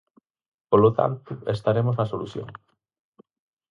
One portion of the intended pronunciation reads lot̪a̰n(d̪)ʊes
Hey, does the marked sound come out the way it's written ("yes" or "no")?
no